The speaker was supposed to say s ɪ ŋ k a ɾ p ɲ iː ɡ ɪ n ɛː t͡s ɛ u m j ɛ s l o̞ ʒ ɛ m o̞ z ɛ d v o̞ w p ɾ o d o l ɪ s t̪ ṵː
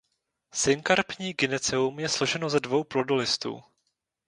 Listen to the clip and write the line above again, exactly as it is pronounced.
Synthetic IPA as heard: s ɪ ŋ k a ɾ p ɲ iː ɡ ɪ n ɛ t͡s ɛ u m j ɛ s l o̞ ʒ ɛ n o̞ z ɛ d v o̞ w p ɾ o d o l ɪ s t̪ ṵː